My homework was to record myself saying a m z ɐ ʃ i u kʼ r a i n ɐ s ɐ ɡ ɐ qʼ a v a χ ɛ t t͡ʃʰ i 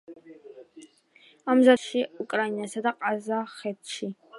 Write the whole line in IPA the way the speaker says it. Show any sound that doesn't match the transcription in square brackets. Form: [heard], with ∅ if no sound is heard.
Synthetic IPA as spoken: a m z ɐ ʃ i u kʼ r a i n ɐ s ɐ [d] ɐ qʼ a [z] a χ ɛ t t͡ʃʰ i